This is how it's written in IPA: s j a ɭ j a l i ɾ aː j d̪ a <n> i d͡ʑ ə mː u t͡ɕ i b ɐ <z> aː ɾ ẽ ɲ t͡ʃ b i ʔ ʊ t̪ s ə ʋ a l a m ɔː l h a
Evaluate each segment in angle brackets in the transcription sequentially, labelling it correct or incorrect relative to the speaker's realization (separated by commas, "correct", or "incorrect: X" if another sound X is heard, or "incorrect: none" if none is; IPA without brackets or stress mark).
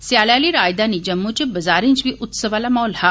correct, correct